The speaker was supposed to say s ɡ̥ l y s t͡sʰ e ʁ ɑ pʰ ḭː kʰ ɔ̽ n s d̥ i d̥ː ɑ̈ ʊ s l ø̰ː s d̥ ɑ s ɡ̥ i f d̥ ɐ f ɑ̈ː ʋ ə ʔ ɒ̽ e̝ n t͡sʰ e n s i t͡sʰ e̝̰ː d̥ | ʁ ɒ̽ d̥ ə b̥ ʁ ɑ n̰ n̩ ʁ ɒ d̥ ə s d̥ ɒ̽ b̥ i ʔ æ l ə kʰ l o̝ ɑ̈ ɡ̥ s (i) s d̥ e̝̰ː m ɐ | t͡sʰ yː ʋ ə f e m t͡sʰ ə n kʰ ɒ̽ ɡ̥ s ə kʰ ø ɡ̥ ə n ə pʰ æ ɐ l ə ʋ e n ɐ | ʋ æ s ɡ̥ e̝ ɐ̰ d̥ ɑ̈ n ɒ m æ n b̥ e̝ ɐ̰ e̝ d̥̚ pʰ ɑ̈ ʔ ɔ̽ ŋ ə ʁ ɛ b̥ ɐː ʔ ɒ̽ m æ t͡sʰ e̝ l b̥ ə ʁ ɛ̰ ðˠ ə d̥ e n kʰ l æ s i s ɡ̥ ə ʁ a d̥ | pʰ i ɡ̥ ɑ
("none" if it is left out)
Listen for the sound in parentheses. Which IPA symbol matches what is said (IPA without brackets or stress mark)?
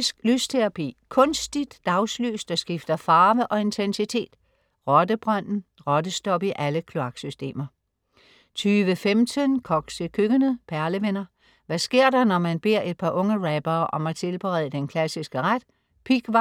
y